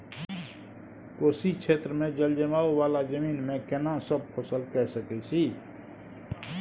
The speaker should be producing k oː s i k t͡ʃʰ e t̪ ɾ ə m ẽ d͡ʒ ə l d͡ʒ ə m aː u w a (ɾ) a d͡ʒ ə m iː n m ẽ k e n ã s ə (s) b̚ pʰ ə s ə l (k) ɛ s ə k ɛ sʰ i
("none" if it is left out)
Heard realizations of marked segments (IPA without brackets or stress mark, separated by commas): l, none, k